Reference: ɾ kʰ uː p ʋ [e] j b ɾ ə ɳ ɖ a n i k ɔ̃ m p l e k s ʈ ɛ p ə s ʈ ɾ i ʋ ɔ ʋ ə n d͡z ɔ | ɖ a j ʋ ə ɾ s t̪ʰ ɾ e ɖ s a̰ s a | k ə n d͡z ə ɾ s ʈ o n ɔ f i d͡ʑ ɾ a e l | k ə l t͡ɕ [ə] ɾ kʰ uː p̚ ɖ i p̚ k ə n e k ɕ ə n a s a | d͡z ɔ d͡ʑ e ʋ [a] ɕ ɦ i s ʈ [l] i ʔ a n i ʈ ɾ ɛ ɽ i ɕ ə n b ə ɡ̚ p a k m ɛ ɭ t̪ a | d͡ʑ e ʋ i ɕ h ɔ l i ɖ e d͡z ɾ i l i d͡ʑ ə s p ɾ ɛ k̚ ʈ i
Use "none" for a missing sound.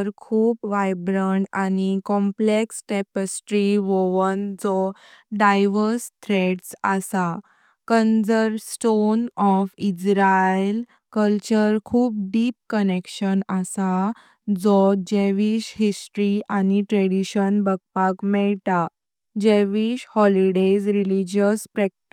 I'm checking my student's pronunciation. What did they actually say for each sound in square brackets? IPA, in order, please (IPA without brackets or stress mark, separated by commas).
a, ə, i, ɾ